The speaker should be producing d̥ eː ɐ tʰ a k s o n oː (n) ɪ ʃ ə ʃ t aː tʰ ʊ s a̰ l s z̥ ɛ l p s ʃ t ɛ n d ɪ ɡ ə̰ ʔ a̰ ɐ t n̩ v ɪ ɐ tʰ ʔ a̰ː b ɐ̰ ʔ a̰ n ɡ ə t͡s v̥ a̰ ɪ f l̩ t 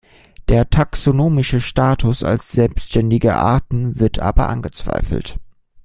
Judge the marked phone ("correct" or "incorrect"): incorrect